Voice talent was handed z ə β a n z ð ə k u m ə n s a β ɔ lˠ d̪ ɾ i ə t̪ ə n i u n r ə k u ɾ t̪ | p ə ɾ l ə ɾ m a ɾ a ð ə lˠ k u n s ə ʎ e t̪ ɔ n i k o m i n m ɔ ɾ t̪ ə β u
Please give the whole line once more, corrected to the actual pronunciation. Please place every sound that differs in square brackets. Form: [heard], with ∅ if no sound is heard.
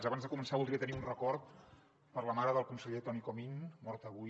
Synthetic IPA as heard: z ə β a n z ð ə k u m ə n s a β [u] lˠ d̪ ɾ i ə t̪ ə n i u n r ə k [ɔ] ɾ t̪ | p ə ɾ l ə [∅] m a ɾ [ə] ð ə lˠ k u n s ə ʎ e t̪ ɔ n i k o m i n m ɔ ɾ t̪ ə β u